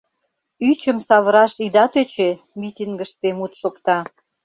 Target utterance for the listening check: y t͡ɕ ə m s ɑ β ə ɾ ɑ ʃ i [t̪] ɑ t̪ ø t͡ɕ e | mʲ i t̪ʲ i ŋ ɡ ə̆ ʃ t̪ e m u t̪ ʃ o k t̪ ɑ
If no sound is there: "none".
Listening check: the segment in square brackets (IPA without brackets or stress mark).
d̪